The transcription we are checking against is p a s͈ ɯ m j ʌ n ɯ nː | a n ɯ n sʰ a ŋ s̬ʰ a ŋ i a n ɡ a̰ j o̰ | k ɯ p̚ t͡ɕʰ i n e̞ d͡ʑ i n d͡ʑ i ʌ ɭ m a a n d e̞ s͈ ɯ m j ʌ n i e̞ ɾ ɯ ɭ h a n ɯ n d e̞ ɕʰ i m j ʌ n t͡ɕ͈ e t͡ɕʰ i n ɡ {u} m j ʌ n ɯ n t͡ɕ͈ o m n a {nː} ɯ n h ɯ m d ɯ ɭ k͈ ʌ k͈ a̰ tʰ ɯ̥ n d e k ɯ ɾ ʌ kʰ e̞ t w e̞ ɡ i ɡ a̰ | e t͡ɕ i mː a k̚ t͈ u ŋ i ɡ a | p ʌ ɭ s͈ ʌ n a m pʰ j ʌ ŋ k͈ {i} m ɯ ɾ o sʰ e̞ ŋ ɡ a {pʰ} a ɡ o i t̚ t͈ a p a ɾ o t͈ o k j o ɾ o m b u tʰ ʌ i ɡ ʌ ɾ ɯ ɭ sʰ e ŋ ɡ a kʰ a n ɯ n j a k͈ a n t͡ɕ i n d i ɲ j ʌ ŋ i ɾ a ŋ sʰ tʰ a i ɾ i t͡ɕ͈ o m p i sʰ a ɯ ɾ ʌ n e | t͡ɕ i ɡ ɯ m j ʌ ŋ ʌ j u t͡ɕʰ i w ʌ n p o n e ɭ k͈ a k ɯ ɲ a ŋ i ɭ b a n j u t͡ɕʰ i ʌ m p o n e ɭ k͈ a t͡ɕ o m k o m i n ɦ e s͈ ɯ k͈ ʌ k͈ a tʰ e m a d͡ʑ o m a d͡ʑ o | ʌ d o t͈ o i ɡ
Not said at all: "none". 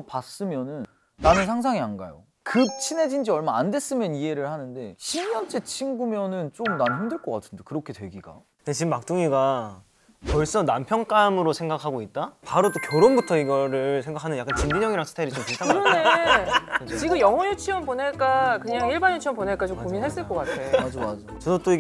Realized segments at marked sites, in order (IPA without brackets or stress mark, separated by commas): u, n, a, kʰ